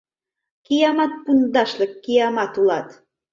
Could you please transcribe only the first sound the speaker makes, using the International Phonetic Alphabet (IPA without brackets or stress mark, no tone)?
k